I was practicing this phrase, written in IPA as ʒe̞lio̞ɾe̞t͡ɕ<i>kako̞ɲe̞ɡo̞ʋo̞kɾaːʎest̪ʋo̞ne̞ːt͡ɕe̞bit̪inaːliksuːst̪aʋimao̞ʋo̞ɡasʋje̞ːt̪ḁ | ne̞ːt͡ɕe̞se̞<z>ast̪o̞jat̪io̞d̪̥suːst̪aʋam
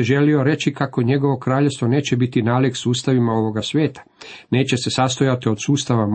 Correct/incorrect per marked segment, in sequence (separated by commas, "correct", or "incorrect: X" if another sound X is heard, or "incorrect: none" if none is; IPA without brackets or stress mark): correct, incorrect: s